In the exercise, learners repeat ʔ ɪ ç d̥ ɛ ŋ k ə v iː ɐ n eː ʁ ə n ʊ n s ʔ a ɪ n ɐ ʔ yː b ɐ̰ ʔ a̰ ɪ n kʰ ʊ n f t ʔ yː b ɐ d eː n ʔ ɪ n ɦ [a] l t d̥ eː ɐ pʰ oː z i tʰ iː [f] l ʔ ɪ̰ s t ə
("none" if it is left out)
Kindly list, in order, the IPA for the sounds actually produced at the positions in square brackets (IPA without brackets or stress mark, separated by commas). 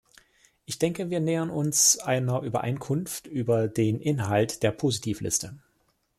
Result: a, f